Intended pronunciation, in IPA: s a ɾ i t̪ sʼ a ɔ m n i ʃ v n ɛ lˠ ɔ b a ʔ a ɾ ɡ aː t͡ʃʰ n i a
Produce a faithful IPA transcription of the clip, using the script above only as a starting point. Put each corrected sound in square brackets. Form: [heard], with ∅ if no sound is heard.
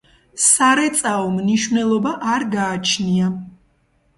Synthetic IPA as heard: s a ɾ [ɛ] t̪ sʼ a ɔ m n i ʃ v n ɛ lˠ ɔ b a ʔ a ɾ ɡ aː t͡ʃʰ n i a